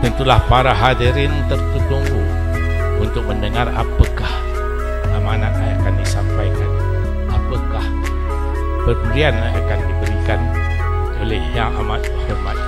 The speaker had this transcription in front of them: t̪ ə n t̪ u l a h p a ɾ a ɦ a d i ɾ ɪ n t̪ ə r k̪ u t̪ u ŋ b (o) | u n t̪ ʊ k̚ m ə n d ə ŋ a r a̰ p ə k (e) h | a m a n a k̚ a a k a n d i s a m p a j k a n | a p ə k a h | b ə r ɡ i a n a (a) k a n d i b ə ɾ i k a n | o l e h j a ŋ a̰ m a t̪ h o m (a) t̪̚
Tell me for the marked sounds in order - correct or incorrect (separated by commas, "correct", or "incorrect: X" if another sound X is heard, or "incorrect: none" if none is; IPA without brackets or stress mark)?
incorrect: u, incorrect: a, correct, correct